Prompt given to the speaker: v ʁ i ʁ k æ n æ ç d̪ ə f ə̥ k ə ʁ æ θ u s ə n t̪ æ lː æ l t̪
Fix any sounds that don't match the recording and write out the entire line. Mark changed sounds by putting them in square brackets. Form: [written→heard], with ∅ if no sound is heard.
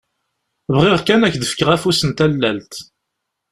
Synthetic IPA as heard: v ʁ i ʁ k æ n æ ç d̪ ə f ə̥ k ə ʁ æ [θ→f] u s ə n t̪ æ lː æ l t̪